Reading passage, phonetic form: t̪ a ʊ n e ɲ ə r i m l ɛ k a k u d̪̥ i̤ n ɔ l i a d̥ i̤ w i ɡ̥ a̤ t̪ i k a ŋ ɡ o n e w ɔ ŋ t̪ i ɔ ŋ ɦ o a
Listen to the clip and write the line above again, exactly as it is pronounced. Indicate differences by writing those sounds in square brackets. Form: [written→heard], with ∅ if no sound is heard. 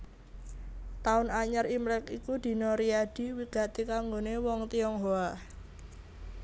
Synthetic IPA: t̪ a ʊ n [e→a] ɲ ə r i m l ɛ k [a→i] k u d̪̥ i̤ n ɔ [l→ɾ] i a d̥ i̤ w i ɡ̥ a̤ t̪ i k a ŋ ɡ o n e w ɔ ŋ t̪ i ɔ ŋ ɦ o a